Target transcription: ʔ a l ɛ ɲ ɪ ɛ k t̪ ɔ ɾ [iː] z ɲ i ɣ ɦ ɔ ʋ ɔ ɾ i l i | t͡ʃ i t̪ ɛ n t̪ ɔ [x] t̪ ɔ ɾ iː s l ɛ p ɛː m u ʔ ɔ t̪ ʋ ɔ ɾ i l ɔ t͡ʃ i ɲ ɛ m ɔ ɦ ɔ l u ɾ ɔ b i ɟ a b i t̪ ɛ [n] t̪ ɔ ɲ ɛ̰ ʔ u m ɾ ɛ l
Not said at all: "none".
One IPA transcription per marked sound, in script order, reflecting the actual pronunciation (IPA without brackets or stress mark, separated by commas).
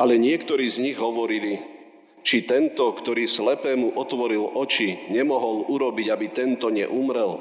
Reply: iː, k, n